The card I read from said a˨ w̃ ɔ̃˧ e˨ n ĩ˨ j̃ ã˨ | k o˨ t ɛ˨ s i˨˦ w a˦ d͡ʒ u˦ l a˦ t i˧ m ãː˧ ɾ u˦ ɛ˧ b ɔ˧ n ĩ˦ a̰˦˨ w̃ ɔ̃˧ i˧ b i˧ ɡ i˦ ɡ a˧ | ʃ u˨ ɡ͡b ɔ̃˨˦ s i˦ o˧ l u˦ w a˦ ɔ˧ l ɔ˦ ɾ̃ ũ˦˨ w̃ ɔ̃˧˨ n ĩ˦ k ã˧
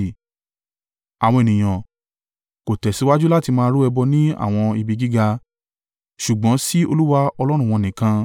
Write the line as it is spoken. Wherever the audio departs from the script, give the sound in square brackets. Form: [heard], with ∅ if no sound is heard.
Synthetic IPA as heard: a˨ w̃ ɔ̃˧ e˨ n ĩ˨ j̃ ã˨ | k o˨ t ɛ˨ s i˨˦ w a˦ d͡ʒ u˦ l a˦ t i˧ m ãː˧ ɾ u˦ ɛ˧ b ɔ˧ n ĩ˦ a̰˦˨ w̃ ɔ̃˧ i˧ b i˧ ɡ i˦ ɡ a˧ | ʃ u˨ ɡ͡b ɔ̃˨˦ s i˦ o˧ l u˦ w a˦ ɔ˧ l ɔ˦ ɾ̃ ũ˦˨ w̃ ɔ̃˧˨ n [ĩ˨] k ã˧